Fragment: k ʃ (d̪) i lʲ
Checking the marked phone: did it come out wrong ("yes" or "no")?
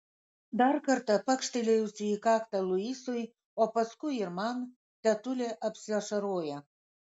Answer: yes